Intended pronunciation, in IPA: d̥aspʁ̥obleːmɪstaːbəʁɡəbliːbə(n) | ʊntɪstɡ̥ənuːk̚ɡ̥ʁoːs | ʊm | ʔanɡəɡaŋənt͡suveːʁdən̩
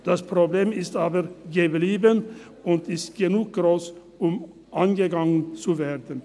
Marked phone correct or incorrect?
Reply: correct